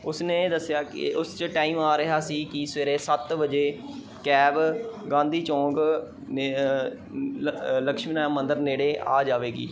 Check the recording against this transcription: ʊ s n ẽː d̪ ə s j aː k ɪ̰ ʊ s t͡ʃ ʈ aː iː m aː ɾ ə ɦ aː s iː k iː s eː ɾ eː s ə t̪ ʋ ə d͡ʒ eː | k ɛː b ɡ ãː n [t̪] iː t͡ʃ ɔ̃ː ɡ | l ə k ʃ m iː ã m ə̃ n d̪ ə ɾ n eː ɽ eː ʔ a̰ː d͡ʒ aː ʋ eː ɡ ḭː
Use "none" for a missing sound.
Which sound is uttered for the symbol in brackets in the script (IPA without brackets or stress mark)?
d̪